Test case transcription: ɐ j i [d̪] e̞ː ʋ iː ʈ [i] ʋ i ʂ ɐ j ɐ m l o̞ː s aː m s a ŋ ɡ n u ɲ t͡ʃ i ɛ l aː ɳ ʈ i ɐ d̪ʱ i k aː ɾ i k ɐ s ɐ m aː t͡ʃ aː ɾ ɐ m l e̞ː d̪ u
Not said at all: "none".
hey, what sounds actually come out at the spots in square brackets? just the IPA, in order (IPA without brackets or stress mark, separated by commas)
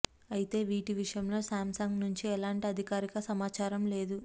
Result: t̪, i